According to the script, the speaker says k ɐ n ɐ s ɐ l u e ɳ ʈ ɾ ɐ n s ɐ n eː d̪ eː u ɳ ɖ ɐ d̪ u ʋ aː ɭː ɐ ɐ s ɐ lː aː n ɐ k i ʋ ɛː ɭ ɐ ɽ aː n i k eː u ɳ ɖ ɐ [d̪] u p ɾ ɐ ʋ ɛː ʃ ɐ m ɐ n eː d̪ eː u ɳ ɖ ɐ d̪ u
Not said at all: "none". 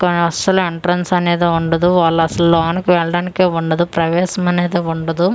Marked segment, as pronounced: d̪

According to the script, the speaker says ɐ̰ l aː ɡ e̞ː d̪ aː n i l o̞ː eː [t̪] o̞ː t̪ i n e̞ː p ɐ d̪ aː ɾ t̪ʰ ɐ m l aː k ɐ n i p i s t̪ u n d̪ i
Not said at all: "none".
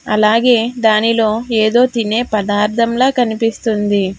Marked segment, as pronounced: d̪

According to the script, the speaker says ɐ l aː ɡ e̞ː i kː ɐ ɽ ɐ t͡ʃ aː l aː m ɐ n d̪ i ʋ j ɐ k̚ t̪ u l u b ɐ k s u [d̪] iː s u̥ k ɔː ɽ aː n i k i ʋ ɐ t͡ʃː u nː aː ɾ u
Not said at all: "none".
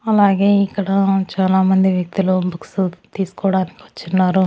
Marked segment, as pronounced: t̪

